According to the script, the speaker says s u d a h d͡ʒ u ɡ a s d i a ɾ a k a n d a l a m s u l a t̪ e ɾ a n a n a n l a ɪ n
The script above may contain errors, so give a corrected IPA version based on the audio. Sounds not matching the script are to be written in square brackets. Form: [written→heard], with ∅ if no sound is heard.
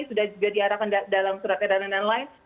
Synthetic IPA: s u d a h d͡ʒ u ɡ a [s→∅] d i a ɾ a k a n d a l a m s u [l→ɾ] a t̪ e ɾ a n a n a n l a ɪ n